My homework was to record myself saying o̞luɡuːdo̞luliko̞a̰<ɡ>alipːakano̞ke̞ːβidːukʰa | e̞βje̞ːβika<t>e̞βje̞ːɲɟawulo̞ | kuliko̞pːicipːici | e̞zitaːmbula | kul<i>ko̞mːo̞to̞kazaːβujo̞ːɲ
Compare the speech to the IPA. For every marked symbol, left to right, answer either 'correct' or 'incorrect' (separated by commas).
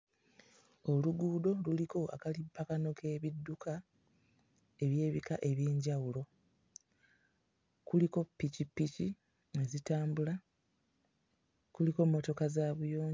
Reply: incorrect, incorrect, correct